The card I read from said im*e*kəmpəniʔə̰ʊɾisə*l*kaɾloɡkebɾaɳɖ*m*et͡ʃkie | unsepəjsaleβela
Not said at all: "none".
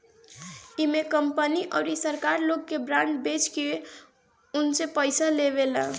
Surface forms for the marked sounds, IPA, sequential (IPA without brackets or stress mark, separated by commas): e, ɾ, b